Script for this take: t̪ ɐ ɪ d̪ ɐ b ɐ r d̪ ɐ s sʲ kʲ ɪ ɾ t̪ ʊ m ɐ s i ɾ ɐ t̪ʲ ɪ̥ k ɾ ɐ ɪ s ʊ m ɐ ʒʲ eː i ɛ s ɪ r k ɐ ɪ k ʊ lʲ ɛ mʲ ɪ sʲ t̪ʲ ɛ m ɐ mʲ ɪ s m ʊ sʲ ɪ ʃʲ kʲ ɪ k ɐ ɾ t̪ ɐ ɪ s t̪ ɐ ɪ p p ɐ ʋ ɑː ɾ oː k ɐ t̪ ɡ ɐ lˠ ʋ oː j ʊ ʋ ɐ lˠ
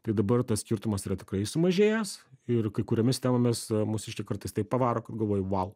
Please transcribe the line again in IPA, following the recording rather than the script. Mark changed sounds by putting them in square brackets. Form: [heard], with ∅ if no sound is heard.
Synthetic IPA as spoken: t̪ ɐ ɪ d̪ ɐ b ɐ r [t̪] ɐ s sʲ kʲ ɪ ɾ t̪ ʊ m ɐ s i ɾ ɐ t̪ʲ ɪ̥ k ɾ ɐ ɪ s ʊ m ɐ ʒʲ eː [j] ɛ s ɪ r k ɐ ɪ k ʊ [ɾʲ] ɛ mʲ ɪ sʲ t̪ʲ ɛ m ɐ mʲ ɪ s m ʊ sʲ ɪ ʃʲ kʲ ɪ k ɐ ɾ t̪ ɐ ɪ s t̪ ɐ ɪ p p ɐ ʋ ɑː ɾ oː k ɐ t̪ ɡ ɐ lˠ ʋ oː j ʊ ʋ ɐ lˠ

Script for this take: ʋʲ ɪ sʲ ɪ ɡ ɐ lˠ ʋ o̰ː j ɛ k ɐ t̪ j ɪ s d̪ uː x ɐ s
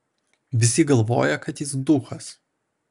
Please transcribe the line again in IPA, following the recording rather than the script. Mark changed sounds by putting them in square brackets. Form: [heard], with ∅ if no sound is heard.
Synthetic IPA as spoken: ʋʲ ɪ sʲ ɪ ɡ ɐ lˠ ʋ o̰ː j ɛ k ɐ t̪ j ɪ s d̪ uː x ɐ s

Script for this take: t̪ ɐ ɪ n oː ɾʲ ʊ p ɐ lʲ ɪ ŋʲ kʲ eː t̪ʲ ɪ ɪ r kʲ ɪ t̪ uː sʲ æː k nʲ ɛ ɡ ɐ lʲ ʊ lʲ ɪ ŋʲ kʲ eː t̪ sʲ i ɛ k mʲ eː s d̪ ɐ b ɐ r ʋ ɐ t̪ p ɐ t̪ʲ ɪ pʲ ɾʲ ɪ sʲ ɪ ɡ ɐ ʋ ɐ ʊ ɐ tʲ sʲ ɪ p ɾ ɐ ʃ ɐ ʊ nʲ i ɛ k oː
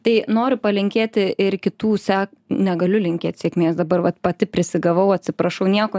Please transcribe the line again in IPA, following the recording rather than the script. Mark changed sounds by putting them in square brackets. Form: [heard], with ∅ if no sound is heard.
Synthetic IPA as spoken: t̪ ɐ ɪ n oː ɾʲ ʊ p ɐ lʲ ɪ ŋʲ kʲ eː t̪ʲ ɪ ɪ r kʲ ɪ t̪ uː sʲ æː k nʲ ɛ ɡ ɐ lʲ ʊ lʲ ɪ ŋʲ kʲ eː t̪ sʲ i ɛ k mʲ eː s d̪ ɐ b ɐ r ʋ ɐ t̪ p ɐ t̪ʲ ɪ pʲ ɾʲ ɪ sʲ ɪ ɡ ɐ ʋ ɐ ʊ ɐ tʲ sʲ ɪ p ɾ ɐ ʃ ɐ ʊ nʲ i ɛ k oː

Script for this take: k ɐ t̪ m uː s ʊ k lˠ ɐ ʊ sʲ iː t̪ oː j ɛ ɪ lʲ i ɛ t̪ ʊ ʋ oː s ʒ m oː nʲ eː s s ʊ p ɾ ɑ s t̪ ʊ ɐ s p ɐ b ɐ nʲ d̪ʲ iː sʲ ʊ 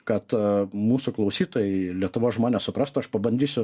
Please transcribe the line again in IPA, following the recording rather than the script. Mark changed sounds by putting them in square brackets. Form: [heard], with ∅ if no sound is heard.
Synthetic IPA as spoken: k ɐ t̪ m uː s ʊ k lˠ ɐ ʊ sʲ iː t̪ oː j ɛ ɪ lʲ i ɛ t̪ ʊ ʋ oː s ʒ m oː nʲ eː s s ʊ p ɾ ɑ s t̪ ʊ ɐ [ʃ] p ɐ b ɐ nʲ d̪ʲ iː sʲ ʊ

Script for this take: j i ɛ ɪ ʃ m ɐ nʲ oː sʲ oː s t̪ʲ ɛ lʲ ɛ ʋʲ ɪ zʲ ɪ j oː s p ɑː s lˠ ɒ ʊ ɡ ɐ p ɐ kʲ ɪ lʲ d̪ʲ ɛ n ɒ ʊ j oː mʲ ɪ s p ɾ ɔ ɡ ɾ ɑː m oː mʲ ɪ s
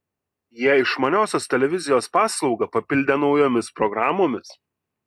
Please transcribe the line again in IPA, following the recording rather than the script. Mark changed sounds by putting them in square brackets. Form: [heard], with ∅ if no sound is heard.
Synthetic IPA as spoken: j i ɛ ɪ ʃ m ɐ nʲ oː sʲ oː s t̪ʲ ɛ lʲ ɛ ʋʲ ɪ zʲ ɪ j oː s p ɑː s lˠ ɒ ʊ ɡ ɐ p ɐ [pʲ] ɪ lʲ d̪ʲ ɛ n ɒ ʊ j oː mʲ ɪ s p ɾ ɔ ɡ ɾ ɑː m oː mʲ ɪ s

